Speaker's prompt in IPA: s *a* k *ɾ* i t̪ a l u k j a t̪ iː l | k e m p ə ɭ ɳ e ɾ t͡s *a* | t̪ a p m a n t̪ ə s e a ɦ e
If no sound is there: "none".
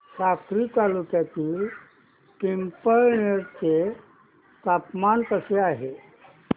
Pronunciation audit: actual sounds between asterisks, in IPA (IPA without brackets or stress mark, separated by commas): a, ɾ, e